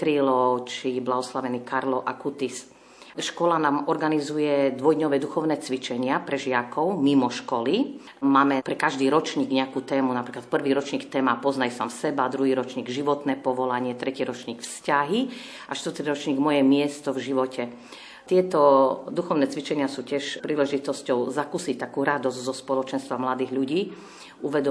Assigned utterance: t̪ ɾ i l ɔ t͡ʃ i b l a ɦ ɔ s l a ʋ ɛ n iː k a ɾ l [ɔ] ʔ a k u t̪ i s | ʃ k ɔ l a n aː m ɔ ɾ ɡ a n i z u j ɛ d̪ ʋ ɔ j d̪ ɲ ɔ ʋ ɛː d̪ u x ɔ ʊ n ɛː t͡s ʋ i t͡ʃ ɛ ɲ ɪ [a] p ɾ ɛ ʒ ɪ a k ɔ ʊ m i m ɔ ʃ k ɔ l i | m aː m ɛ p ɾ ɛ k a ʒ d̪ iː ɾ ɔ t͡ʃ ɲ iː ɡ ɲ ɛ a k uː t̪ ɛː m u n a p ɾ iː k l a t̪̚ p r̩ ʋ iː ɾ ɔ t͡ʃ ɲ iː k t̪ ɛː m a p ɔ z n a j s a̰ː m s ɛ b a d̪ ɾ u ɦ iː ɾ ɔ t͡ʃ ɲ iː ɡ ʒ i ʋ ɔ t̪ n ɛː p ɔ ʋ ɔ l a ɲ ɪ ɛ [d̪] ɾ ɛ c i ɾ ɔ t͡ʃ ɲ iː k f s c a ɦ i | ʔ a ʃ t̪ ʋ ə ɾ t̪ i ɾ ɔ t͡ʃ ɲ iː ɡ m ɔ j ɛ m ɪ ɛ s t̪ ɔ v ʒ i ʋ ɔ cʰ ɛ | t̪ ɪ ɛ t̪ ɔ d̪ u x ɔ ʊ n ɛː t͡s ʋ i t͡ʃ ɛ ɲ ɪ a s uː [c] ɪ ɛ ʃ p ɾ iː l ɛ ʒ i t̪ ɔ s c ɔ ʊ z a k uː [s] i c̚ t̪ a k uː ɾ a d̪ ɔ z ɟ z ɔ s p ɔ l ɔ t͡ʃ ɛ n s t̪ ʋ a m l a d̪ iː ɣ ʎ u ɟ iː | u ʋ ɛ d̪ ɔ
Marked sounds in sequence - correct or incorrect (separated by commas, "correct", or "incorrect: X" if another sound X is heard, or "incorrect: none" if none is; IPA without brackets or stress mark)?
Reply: correct, correct, incorrect: t̪, correct, correct